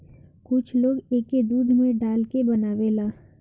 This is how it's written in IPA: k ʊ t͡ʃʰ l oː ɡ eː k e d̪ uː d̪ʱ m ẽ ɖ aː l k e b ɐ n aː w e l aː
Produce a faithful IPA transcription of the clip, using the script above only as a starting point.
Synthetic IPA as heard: k ʊ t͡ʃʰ l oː ɡ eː k e d̪ uː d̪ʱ m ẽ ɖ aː l k e b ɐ n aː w e l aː